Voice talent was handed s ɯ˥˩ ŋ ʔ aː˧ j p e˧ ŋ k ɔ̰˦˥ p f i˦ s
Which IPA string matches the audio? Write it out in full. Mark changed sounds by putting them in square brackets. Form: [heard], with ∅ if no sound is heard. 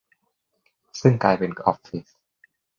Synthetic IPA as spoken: s ɯ˥˩ ŋ [k] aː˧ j p e˧ [n] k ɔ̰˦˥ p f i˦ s